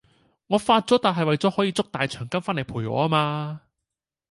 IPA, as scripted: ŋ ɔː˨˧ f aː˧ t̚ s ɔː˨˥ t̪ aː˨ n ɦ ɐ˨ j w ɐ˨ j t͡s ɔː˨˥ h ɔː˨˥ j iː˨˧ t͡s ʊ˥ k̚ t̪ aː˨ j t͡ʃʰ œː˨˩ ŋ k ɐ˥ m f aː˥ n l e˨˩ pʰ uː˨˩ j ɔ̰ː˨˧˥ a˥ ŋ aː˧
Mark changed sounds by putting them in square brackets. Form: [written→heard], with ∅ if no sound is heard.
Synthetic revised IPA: ŋ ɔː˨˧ f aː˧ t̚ [s→t͡s] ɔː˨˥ t̪ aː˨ n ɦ ɐ˨ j w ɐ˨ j t͡s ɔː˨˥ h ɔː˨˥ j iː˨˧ t͡s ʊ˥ k̚ t̪ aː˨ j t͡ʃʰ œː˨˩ ŋ k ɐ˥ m f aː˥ n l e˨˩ pʰ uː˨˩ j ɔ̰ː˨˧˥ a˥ [ŋ→m] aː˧